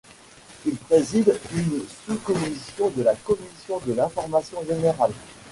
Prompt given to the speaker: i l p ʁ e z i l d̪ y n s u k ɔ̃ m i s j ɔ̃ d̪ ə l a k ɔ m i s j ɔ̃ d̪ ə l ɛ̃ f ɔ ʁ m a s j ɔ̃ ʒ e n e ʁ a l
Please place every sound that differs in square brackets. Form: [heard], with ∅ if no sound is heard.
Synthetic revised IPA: i l p [χ] e z i [∅] d̪ y n s u k [ɔ] m i s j ɔ̃ d̪ ə l a k ɔ m i s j ɔ̃ d̪ ə l ɛ̃ f ɔ ʁ m a s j ɔ̃ ʒ e n e ʁ a l